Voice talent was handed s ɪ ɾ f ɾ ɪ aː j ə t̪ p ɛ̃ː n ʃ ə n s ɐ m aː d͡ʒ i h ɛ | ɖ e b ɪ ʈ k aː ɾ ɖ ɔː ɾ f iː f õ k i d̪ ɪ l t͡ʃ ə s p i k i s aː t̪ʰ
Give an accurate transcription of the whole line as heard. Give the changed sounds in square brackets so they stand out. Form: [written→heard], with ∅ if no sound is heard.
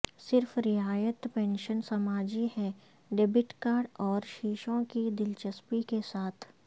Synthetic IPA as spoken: s ɪ ɾ f ɾ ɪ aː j ə t̪ p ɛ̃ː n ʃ ə n s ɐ m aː d͡ʒ i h ɛ | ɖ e b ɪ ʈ k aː ɾ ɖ ɔː ɾ [f→ʃ] iː [f→ʃ] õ k i d̪ ɪ l t͡ʃ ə s p i k [i→e] s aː t̪ʰ